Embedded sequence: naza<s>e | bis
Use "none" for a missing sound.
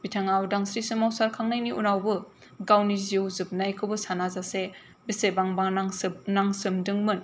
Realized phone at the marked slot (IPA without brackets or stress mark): s